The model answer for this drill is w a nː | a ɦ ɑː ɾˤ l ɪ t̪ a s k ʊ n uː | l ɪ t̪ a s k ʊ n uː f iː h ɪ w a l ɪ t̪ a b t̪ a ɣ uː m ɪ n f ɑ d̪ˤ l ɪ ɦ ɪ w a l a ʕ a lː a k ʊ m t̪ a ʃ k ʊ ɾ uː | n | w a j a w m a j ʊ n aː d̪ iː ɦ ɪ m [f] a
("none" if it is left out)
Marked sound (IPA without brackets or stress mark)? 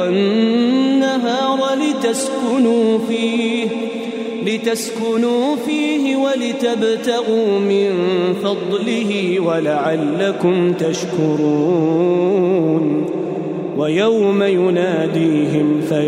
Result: f